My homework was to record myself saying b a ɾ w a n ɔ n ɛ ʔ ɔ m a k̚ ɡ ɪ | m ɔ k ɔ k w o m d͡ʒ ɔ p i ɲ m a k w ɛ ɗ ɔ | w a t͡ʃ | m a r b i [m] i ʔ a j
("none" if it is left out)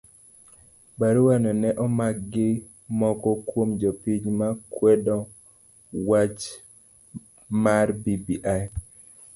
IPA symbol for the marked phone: b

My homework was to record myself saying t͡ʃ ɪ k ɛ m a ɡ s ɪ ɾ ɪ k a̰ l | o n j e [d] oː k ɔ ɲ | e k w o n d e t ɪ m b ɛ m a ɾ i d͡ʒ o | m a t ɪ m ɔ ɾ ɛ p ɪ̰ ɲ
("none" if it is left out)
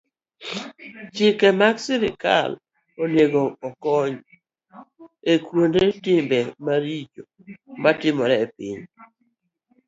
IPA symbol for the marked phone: ɡ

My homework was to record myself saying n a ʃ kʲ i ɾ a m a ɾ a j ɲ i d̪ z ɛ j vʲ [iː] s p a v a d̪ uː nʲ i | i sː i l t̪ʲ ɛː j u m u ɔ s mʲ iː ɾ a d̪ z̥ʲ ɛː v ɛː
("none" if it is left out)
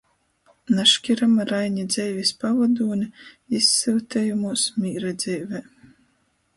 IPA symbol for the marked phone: i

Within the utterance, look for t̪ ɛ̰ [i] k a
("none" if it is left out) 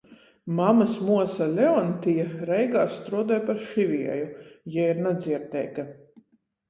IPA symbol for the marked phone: j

